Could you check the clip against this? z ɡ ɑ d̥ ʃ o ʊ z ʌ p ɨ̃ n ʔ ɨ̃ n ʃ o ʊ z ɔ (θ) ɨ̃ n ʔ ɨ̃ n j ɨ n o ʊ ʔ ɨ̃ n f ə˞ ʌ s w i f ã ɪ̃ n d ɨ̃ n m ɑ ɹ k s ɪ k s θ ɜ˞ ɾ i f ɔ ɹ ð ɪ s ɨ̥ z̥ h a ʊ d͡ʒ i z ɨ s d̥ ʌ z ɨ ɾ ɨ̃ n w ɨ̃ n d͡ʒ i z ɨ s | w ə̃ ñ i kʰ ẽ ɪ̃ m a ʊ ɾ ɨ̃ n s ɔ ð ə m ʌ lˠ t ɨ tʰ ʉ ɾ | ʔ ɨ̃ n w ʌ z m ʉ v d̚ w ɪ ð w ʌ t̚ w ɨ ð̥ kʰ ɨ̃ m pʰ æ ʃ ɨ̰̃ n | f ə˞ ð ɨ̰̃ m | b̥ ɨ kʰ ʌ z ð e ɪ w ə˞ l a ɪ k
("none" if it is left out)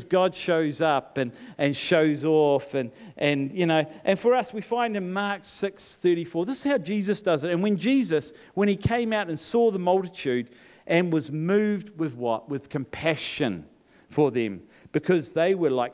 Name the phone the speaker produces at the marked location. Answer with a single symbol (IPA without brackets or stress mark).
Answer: f